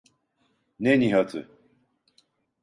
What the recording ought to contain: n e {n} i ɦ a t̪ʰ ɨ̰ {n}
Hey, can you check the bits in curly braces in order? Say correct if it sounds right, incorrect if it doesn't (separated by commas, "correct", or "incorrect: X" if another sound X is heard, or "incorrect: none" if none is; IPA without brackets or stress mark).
correct, incorrect: none